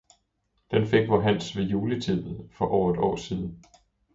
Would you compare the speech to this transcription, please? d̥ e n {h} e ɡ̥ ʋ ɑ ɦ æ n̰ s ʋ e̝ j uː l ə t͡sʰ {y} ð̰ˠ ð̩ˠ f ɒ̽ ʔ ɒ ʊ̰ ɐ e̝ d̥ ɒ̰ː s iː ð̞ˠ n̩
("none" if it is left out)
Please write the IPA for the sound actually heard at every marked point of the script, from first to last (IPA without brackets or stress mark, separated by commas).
f, i